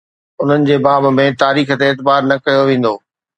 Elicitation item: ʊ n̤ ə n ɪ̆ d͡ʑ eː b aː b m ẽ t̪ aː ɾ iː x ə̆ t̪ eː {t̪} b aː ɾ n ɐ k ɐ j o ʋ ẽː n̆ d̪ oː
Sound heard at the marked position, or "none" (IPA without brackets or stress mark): t̪